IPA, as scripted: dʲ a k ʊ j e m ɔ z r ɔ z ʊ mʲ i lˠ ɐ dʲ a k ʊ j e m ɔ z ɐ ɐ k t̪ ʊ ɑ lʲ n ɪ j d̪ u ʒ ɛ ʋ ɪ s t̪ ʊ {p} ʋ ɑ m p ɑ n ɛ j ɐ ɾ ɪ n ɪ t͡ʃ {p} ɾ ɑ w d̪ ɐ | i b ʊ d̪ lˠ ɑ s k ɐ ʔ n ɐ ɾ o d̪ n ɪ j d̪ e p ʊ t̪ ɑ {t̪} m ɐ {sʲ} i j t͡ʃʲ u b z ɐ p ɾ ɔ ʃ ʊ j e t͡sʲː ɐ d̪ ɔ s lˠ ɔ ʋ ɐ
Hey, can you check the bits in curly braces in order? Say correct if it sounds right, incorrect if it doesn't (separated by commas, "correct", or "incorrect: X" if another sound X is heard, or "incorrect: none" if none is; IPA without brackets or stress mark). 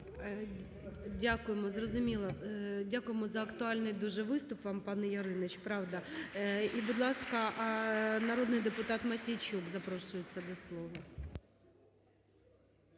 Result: correct, correct, correct, correct